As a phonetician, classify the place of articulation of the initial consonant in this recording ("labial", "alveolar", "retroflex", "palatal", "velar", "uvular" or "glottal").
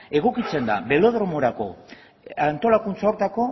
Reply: velar